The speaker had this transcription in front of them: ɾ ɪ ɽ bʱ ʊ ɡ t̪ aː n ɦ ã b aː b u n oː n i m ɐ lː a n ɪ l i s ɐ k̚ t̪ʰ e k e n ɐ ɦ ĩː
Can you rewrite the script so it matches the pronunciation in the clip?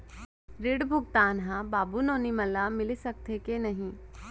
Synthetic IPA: ɾ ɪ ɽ bʱ ʊ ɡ t̪ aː n ɦ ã b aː b u n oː n i m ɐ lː a m ɪ l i s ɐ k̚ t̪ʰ e k e n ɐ ɦ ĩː